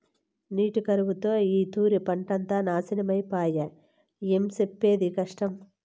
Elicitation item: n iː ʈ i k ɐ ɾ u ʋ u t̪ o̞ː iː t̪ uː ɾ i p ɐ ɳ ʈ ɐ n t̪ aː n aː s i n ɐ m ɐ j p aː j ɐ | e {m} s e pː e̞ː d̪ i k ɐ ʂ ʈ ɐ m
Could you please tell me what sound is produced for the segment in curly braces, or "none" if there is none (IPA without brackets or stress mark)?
m